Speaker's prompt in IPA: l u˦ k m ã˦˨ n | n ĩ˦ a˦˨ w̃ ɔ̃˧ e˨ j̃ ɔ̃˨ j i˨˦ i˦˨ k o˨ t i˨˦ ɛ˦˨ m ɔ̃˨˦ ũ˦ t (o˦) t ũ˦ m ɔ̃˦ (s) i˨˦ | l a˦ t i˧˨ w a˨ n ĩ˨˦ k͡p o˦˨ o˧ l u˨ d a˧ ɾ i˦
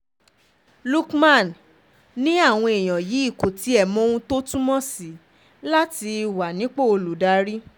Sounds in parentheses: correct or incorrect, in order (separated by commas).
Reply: correct, correct